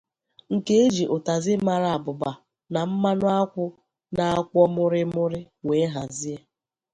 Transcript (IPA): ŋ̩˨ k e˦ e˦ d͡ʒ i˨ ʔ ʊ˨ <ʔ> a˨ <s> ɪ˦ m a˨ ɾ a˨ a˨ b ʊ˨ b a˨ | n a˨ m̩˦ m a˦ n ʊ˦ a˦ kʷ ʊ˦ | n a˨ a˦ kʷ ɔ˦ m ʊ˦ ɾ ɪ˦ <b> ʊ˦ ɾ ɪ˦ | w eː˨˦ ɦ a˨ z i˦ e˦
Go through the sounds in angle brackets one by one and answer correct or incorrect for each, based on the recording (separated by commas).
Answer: incorrect, incorrect, incorrect